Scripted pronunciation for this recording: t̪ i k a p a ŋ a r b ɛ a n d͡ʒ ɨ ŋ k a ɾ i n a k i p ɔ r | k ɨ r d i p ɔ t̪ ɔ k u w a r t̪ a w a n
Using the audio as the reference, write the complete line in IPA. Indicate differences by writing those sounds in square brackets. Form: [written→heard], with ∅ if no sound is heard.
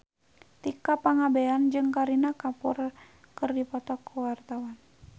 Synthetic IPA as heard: t̪ i k a p a ŋ a [r→∅] b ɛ a n d͡ʒ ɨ ŋ k a ɾ i n a k [i→a] p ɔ r | k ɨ r d i p ɔ t̪ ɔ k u w a r t̪ a w a n